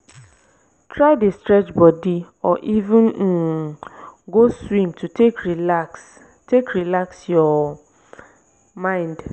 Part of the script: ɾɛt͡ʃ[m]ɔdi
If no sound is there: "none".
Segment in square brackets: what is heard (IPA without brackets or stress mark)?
b